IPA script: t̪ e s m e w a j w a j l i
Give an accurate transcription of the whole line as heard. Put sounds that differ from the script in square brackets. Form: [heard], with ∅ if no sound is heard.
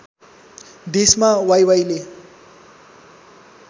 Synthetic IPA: [d̪] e s m [a] w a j w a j l [e]